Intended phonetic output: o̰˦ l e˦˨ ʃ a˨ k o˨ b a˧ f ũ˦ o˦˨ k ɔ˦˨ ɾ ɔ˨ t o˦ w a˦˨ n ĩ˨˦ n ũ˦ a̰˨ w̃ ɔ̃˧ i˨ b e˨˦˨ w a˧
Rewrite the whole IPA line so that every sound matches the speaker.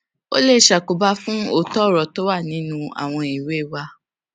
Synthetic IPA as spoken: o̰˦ l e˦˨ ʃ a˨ k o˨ b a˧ f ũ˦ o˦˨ t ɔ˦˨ ɾ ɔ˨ t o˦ w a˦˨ n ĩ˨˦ n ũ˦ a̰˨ w̃ ɔ̃˧ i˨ w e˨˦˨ w a˧